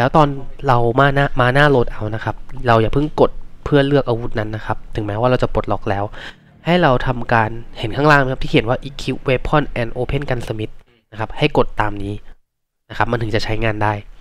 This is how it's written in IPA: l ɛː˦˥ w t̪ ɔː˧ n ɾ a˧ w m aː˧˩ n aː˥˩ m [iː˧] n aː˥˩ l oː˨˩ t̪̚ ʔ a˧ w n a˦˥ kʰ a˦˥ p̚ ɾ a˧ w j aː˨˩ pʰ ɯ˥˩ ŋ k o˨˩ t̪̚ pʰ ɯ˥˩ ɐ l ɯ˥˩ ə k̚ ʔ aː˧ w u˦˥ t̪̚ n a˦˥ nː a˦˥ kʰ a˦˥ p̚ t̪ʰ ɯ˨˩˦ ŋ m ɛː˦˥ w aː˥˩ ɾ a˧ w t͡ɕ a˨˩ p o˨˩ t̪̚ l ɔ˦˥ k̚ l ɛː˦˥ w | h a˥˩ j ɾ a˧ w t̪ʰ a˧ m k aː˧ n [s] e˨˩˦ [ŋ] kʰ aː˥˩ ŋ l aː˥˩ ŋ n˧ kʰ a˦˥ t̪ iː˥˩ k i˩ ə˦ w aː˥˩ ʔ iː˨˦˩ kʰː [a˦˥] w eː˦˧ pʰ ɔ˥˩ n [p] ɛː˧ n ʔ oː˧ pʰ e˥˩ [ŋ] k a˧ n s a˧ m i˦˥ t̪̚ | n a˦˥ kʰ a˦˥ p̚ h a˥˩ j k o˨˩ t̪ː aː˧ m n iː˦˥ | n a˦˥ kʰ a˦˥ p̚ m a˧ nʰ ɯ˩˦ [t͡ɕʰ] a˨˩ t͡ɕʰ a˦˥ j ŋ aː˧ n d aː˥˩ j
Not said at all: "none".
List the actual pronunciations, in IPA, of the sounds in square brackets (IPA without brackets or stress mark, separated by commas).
aː˧, h, n, i˦˥, ʔ, n, t͡ɕ